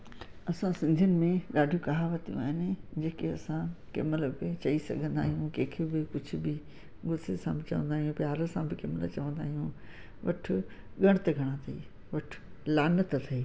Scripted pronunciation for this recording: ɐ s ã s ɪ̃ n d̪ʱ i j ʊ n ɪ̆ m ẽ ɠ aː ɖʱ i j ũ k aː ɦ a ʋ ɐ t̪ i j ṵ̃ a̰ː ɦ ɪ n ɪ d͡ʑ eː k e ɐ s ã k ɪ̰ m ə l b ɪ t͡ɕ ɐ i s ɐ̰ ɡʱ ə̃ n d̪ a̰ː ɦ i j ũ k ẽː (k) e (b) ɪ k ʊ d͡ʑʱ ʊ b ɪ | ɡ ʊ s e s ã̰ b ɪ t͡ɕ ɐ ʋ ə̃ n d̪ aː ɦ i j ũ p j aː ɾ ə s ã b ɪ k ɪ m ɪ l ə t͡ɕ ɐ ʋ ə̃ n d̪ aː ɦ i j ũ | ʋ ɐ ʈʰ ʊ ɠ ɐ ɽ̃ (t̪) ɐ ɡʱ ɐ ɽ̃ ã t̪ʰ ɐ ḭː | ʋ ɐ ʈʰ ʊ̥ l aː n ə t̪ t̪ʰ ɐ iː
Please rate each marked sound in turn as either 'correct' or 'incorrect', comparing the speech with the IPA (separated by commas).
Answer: incorrect, correct, correct